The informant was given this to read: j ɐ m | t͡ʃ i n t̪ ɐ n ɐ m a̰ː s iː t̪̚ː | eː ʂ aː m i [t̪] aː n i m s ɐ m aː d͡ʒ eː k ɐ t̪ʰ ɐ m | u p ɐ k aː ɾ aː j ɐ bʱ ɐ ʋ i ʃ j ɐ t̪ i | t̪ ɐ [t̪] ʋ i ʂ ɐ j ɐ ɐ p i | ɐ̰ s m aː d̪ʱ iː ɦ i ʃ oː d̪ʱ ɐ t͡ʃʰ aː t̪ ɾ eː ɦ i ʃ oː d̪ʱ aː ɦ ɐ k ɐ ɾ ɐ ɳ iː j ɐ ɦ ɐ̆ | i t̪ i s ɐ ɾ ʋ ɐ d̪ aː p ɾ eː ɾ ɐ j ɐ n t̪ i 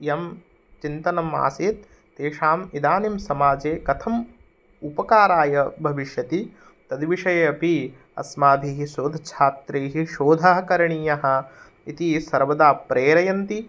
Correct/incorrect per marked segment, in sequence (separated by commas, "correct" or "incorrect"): incorrect, incorrect